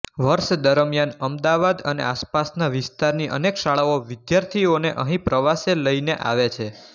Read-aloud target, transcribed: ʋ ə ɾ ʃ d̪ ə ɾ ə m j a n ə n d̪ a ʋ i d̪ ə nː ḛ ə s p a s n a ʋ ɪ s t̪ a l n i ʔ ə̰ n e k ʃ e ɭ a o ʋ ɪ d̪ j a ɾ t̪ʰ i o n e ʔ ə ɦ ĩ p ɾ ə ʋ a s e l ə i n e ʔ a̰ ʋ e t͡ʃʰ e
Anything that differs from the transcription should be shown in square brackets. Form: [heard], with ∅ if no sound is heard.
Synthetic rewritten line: ʋ ə ɾ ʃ d̪ ə ɾ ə m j a n ə [m] d̪ a ʋ [a] d̪ ə [n] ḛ [a] s p a s n a ʋ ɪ s t̪ a [ɾ] n i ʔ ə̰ n e k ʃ [a] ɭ a o ʋ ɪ d̪ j a ɾ t̪ʰ i o n e ʔ ə ɦ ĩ p ɾ ə ʋ a s e l ə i n e ʔ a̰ ʋ e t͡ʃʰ e